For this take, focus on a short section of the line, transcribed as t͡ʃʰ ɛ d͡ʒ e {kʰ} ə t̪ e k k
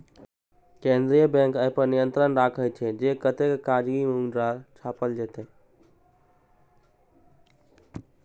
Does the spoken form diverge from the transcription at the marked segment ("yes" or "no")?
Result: yes